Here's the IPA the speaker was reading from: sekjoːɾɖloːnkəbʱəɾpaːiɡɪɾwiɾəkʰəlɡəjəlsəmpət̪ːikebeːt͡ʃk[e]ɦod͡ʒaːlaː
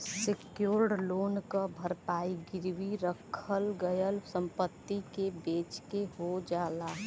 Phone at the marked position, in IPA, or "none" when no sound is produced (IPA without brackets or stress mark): e